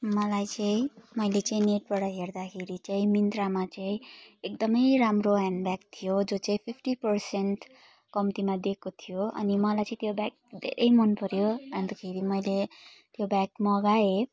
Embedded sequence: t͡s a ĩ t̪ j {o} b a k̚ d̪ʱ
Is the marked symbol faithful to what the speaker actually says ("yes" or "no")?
yes